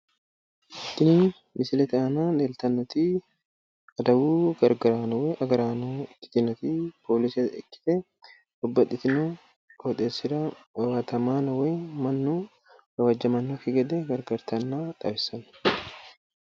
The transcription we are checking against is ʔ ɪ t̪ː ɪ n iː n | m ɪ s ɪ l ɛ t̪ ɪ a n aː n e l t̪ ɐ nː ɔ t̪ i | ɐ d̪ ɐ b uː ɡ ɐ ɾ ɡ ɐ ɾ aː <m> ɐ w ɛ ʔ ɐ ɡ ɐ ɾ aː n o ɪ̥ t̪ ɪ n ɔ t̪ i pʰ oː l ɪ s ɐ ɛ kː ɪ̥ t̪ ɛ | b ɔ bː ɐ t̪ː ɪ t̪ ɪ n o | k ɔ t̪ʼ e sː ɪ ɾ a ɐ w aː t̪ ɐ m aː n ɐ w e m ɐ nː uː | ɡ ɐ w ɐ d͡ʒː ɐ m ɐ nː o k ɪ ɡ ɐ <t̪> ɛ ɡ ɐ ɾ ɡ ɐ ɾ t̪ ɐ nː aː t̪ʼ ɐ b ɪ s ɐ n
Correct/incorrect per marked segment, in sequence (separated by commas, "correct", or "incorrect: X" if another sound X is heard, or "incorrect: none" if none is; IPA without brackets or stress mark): incorrect: n, incorrect: d̪